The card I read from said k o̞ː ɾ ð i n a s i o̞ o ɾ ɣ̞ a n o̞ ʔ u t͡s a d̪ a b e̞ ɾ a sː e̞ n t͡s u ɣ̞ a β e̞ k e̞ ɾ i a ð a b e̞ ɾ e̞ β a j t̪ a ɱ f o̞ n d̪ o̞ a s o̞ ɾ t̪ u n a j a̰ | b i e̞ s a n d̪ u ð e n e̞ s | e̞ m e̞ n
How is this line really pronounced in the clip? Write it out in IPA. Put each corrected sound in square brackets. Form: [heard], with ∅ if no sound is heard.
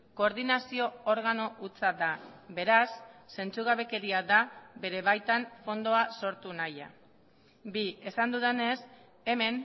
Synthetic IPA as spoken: k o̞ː ɾ ð i n a s i o̞ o ɾ ɣ̞ a n o̞ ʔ u t͡s a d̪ a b e̞ ɾ a sː e̞ n t͡s u ɣ̞ a β e̞ k e̞ ɾ i a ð a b e̞ ɾ e̞ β a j t̪ a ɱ f o̞ n d̪ o̞ a s o̞ ɾ t̪ u n a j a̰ | b i e̞ s a n d̪ u ð e n e̞ s | e̞ m e̞ n